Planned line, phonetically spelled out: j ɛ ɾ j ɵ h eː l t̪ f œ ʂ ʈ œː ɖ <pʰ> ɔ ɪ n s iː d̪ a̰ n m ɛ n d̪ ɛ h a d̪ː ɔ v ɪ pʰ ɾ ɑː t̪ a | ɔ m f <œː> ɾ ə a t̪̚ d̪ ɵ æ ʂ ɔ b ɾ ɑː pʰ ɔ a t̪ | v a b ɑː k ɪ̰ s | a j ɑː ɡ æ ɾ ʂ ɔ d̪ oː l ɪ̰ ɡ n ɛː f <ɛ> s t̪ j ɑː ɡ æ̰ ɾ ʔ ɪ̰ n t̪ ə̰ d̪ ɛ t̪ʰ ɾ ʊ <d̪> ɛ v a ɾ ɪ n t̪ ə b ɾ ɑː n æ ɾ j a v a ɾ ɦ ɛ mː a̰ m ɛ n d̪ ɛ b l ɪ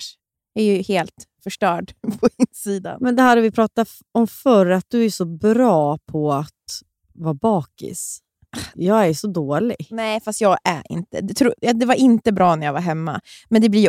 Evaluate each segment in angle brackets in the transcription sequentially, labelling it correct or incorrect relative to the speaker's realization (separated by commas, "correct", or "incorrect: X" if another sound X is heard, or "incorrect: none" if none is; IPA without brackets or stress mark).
correct, incorrect: œ, incorrect: a, correct